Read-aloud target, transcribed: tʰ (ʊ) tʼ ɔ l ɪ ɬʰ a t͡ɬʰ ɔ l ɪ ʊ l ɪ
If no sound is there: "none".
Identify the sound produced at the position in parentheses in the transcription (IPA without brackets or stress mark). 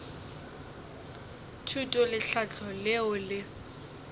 u